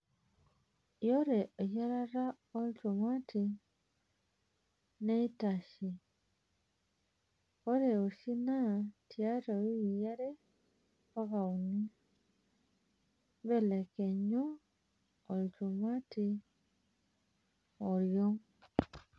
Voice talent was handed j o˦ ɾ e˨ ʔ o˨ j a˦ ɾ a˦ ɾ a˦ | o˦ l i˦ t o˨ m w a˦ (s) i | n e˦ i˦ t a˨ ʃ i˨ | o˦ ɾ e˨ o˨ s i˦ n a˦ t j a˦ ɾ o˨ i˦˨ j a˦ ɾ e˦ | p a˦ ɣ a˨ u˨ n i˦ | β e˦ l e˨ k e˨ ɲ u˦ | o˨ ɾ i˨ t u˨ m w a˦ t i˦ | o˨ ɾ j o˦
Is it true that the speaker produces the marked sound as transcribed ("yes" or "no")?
no